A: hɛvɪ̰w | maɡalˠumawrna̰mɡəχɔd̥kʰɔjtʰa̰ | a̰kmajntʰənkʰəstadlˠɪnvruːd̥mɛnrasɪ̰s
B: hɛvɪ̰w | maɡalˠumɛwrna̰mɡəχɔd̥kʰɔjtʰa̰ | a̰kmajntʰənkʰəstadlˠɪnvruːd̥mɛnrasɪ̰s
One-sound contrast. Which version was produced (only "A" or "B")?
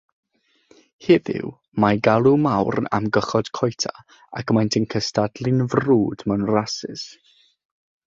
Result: A